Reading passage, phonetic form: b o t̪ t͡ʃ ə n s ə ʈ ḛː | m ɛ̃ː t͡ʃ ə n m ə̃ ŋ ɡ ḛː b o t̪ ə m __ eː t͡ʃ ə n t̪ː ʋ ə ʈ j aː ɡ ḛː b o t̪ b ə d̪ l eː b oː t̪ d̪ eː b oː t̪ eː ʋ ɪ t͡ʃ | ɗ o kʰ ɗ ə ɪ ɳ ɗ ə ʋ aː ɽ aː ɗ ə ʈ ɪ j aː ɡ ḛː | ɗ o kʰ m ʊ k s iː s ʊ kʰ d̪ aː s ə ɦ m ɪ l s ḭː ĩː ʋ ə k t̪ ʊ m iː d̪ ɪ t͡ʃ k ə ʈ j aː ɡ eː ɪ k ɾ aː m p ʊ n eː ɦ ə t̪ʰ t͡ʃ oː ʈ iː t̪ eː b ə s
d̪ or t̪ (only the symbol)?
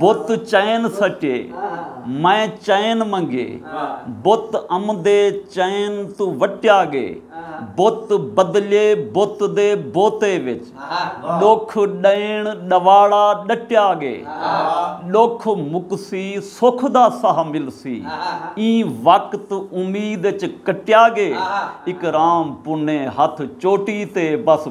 d̪